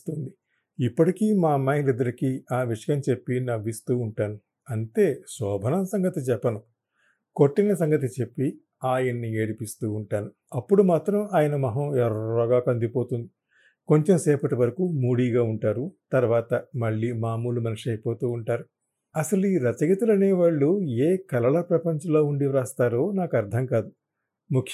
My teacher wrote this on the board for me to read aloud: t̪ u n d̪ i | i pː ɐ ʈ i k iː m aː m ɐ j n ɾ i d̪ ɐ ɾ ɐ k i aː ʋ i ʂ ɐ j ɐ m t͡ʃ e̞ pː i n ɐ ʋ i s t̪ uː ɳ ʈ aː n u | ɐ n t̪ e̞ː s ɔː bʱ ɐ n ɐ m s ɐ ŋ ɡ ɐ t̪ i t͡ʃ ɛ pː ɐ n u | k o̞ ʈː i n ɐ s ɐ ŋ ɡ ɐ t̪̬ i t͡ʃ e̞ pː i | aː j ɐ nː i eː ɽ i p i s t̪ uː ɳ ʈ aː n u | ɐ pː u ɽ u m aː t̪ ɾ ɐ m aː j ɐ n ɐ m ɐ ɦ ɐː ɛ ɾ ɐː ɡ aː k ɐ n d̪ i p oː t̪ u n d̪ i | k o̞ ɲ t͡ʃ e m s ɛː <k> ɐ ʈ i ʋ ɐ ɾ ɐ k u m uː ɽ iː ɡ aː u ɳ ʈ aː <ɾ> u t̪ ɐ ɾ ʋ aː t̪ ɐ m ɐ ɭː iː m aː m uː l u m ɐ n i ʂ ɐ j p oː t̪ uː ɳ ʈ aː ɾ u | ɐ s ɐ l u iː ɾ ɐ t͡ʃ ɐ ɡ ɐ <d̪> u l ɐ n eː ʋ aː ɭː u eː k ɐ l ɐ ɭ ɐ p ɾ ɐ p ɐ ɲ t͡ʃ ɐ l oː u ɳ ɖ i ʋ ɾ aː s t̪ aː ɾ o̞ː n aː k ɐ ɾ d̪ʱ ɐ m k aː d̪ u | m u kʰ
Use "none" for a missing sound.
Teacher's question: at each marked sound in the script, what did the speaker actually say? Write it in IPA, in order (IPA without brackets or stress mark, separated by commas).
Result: p, ɾ, t̪